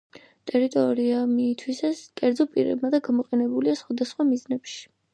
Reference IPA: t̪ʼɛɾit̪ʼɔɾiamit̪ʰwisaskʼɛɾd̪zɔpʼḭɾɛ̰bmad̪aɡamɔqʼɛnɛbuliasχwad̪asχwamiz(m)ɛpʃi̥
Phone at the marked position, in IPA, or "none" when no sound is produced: n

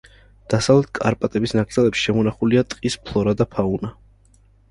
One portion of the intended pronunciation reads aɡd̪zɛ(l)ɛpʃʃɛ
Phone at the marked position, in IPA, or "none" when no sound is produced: l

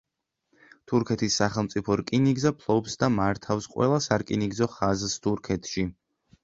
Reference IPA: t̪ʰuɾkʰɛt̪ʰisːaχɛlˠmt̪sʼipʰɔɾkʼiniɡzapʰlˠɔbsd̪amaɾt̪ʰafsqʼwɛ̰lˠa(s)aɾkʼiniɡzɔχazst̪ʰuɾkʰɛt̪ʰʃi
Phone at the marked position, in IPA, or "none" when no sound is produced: s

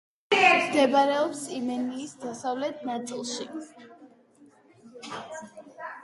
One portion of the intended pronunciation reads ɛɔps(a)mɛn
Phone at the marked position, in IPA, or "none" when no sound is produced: i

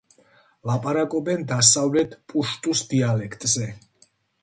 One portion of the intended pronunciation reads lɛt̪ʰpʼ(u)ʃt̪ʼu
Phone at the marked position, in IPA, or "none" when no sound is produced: u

